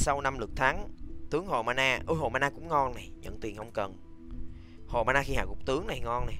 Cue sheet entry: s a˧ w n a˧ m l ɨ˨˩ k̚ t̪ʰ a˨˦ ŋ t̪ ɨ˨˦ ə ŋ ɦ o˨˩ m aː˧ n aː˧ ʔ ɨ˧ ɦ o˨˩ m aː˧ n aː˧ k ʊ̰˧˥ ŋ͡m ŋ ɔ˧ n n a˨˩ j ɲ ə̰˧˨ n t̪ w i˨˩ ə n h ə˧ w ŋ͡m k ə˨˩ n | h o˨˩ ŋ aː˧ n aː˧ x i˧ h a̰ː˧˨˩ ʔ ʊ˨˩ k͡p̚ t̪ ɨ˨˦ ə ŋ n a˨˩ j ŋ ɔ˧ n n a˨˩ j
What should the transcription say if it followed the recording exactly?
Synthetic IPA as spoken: s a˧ w n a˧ m l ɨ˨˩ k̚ t̪ʰ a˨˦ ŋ t̪ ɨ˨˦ ə ŋ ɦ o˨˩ m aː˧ n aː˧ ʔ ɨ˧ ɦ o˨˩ m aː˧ n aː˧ k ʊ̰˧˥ ŋ͡m ŋ ɔ˧ n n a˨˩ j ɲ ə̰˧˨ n t̪ w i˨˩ ə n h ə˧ w ŋ͡m k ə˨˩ n | h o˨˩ m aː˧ n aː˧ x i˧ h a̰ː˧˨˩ k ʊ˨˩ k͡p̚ t̪ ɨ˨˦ ə ŋ n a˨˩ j ŋ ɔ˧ n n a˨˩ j